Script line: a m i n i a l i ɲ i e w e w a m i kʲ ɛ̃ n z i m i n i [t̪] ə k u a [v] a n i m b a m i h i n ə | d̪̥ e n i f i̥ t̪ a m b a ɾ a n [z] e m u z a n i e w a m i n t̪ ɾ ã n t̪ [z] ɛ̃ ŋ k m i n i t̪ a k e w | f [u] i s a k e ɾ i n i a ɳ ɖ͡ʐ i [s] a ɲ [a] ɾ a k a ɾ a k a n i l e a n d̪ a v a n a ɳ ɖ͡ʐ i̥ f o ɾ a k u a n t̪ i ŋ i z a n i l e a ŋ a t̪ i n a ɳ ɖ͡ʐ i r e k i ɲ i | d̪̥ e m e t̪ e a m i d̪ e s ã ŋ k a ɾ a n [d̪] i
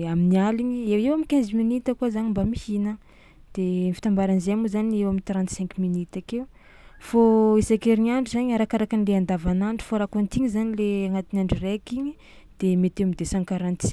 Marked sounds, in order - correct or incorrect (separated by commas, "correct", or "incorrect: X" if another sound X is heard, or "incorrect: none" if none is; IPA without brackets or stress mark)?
correct, incorrect: z, correct, incorrect: s, incorrect: o, incorrect: z, correct, incorrect: t̪